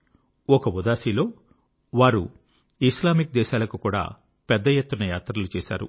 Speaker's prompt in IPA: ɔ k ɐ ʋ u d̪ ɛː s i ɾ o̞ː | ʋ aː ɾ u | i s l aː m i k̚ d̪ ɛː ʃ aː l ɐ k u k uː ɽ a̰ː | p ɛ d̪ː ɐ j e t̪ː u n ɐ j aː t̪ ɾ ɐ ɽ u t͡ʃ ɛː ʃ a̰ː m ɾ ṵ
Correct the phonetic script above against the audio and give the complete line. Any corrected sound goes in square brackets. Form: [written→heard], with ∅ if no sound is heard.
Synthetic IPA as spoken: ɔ k ɐ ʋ u d̪ [ɛː→aː] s i [ɾ→l] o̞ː | ʋ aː ɾ u | i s l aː m i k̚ d̪ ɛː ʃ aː l ɐ k u k uː ɽ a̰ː | p ɛ d̪ː ɐ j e t̪ː u n ɐ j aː t̪ ɾ ɐ [ɽ→l] u t͡ʃ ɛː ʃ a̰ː [m→∅] ɾ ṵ